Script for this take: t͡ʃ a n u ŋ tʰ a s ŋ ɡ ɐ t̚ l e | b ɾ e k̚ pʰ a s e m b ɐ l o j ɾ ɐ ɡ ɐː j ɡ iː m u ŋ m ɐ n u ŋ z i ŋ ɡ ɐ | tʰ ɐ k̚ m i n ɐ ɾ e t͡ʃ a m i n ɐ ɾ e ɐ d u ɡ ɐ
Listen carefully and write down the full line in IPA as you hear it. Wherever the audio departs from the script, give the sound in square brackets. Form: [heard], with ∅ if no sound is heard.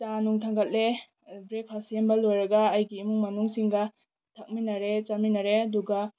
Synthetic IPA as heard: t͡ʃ a n u ŋ tʰ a [∅] ŋ ɡ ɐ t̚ l e | b ɾ e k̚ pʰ a s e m b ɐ l o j ɾ ɐ ɡ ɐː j ɡ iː m u ŋ m ɐ n u ŋ [s] i ŋ ɡ ɐ | tʰ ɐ k̚ m i n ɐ ɾ e t͡ʃ a m i n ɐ ɾ e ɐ d u ɡ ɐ